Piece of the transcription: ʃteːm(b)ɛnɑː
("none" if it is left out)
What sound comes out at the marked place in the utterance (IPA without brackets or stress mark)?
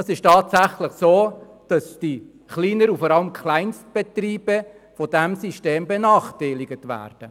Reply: b